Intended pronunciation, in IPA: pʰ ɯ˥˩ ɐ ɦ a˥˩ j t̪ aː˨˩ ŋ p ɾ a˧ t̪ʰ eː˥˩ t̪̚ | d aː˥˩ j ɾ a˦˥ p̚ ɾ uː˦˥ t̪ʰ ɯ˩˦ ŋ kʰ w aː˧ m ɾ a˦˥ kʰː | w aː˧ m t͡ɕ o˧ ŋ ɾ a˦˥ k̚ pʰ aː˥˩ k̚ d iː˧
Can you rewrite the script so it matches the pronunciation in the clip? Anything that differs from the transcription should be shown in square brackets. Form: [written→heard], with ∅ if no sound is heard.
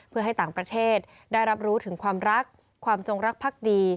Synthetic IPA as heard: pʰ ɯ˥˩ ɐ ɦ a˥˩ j t̪ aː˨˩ ŋ p ɾ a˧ t̪ʰ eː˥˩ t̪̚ | d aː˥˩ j ɾ a˦˥ p̚ ɾ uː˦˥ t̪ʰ ɯ˩˦ ŋ kʰ w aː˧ m ɾ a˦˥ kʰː | w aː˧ m t͡ɕ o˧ ŋ ɾ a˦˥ k̚ pʰ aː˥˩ k̚ d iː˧